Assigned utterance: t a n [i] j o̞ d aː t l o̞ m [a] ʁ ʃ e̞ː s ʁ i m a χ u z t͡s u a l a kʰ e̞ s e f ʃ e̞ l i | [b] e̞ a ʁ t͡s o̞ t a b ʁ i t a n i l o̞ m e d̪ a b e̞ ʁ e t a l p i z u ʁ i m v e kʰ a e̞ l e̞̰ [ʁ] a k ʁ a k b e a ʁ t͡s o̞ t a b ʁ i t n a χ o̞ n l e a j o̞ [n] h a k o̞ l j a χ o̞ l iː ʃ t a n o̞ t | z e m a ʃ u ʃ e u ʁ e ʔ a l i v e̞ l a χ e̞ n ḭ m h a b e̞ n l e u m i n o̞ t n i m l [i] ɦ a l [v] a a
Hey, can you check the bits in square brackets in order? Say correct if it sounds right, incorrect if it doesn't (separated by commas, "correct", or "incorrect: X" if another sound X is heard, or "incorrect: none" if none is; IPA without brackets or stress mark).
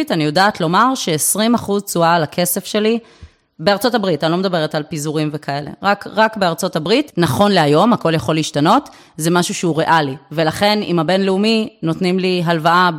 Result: correct, correct, correct, correct, incorrect: m, correct, correct